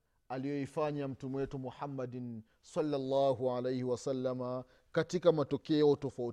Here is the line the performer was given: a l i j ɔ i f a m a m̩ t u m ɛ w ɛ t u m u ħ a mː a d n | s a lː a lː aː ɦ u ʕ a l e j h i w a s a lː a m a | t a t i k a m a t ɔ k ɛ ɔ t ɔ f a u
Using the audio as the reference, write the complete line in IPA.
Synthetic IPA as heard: a l i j ɔ i f a ɲ a m̩ t u m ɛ w ɛ t u m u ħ a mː a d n | s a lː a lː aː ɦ u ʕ a l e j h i w a s a lː a m a | k a t i k a m a t ɔ k ɛ ɔ t ɔ f a u